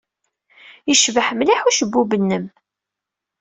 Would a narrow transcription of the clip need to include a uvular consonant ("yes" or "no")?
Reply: no